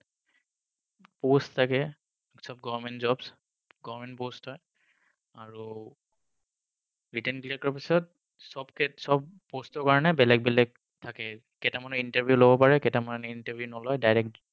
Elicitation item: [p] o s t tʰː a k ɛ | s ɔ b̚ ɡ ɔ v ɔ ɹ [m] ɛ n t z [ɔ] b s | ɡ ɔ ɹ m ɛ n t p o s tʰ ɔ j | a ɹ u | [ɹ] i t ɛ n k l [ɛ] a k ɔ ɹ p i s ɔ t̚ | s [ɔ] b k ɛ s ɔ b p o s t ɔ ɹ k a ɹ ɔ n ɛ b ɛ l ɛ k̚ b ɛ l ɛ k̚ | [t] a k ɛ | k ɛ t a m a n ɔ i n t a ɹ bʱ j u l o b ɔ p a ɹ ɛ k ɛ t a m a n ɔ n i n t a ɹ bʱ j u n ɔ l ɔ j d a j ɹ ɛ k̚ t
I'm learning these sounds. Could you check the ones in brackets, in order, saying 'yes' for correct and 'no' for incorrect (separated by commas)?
yes, yes, yes, yes, no, yes, no